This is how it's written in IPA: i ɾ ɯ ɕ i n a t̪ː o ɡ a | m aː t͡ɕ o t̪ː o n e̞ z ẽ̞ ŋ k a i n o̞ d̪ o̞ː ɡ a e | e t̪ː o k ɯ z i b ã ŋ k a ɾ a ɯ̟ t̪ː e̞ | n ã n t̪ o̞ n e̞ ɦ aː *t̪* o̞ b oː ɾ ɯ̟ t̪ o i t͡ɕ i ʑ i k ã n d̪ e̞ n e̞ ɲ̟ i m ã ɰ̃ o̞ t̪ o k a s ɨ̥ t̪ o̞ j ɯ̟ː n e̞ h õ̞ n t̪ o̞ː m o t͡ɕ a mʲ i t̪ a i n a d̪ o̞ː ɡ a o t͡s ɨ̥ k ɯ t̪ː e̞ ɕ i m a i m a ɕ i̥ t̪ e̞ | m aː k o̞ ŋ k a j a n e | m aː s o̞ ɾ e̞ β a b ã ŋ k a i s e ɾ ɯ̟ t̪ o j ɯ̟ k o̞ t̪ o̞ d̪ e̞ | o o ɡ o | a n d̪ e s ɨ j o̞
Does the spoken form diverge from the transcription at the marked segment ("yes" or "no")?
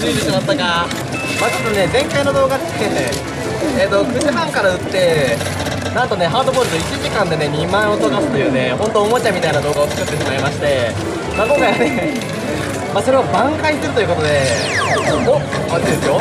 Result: yes